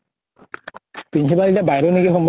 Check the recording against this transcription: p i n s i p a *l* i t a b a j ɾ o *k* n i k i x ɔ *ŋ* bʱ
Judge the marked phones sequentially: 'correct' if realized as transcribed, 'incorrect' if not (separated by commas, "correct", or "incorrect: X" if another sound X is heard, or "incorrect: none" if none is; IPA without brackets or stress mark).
correct, incorrect: none, incorrect: m